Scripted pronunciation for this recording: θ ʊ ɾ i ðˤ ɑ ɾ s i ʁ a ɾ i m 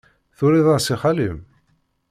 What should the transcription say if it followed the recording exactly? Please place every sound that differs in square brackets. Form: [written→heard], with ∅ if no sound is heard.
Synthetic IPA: θ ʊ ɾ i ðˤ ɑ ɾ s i [ʁ→χ] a [ɾ→l] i m